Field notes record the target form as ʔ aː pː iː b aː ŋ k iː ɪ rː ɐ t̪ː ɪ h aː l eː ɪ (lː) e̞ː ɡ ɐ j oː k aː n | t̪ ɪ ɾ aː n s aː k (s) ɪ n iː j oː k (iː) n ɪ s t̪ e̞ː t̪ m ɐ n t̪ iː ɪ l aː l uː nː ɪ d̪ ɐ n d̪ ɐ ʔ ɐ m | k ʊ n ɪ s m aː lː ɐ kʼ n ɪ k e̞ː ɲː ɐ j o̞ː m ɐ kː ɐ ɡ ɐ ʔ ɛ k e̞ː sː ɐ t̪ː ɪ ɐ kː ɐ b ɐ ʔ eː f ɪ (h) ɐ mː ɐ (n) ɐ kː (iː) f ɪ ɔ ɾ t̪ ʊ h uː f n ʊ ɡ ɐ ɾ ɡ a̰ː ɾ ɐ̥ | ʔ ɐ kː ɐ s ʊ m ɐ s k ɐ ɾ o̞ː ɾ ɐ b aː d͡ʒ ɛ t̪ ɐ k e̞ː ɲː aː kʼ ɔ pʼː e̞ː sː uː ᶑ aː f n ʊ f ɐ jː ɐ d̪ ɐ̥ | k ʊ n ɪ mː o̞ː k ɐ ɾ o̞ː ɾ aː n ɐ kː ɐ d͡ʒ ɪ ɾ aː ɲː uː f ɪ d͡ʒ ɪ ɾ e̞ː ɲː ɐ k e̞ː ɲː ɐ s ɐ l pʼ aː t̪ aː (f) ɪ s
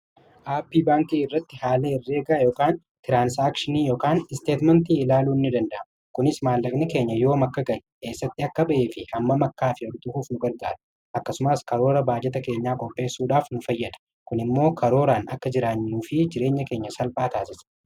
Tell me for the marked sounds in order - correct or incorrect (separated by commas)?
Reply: incorrect, incorrect, incorrect, correct, incorrect, incorrect, incorrect